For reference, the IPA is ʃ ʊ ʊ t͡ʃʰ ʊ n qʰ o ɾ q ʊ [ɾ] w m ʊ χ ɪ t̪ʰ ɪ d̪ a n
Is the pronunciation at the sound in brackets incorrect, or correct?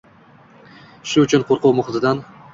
incorrect